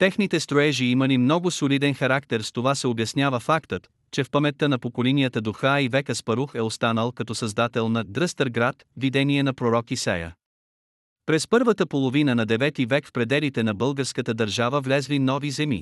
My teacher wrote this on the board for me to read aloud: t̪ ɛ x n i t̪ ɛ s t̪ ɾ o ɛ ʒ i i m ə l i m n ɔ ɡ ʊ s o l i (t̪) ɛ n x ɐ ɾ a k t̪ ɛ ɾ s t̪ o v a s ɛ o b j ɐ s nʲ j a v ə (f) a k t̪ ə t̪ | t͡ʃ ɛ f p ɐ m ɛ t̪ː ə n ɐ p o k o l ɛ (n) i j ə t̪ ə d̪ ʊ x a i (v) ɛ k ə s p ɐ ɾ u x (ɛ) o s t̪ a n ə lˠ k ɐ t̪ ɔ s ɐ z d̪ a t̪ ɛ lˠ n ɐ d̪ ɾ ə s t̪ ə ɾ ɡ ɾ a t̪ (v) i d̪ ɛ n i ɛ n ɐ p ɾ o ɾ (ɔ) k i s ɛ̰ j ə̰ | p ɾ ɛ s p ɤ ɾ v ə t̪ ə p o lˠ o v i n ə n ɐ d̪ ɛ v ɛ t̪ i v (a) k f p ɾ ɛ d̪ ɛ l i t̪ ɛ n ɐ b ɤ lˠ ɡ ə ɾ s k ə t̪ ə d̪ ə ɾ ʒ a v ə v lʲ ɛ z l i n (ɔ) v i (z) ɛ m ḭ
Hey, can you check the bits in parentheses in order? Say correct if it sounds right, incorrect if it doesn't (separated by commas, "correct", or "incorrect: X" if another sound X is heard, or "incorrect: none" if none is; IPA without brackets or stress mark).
incorrect: d̪, correct, correct, correct, correct, correct, correct, incorrect: ɛ, correct, correct